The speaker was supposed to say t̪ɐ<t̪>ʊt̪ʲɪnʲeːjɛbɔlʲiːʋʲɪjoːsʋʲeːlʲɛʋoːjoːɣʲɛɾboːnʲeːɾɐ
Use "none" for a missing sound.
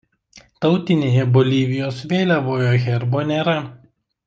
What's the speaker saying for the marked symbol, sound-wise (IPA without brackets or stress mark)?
none